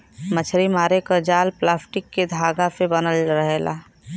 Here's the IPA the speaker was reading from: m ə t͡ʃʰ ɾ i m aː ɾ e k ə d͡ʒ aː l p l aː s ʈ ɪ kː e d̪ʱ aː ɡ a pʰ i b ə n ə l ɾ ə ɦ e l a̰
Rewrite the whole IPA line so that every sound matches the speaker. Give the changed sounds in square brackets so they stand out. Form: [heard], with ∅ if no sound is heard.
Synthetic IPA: m ə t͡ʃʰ ɾ i m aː ɾ e k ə d͡ʒ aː l p l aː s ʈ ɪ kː e d̪ʱ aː ɡ a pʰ [e] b ə n ə l ɾ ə ɦ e l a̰